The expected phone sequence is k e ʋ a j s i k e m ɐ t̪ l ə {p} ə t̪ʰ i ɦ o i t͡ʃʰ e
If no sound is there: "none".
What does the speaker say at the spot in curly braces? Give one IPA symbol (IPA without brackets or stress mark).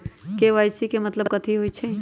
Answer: k